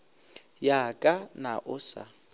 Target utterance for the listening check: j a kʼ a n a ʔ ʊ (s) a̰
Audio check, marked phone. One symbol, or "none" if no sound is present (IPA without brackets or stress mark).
s